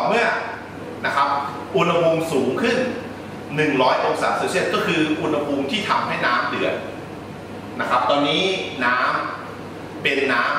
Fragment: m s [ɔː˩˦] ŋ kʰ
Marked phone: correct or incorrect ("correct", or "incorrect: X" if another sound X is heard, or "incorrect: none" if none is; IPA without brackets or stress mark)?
incorrect: uː˩˦